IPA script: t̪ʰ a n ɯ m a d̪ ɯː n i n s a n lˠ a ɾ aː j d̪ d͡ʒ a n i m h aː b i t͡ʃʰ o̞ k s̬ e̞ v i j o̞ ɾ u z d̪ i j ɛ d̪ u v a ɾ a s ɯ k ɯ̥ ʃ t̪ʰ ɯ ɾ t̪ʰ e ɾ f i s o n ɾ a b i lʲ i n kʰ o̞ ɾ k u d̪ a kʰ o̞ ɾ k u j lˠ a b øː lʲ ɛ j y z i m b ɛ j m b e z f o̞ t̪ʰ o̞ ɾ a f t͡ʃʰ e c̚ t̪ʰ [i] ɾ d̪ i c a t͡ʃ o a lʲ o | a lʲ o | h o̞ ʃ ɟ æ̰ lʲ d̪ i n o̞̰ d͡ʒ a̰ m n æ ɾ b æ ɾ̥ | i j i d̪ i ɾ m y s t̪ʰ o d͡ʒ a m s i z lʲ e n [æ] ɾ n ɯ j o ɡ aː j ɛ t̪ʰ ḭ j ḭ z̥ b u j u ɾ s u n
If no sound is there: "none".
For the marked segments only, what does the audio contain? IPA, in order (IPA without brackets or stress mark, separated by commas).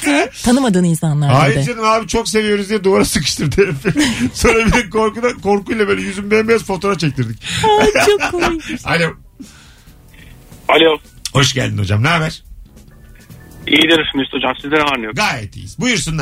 i, a